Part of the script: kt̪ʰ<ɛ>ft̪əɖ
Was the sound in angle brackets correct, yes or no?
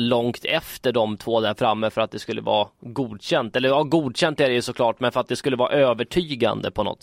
yes